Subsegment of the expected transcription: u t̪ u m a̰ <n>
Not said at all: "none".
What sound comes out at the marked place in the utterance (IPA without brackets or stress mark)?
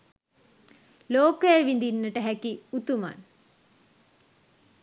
n